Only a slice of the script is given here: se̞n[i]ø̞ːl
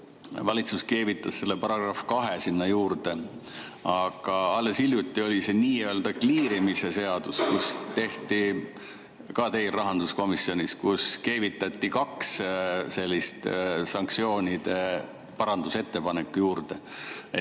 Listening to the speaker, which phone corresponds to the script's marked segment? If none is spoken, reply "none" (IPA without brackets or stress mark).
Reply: iː